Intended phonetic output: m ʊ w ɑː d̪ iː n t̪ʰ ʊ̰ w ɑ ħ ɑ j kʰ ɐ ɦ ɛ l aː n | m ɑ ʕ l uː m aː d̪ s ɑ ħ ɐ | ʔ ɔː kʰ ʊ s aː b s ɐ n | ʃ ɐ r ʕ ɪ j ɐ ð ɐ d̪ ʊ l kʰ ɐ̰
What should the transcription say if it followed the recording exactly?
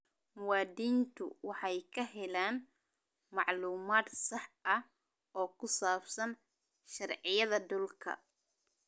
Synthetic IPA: m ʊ w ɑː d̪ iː n t̪ʰ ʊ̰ w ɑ ħ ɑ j kʰ ɐ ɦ ɛ l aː n | m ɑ ʕ l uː m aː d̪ s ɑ ħ ɐ | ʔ ɔː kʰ ʊ s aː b s ɐ n | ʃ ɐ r ʕ ɪ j ɐ ð ɐ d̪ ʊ l kʰ ɐ̰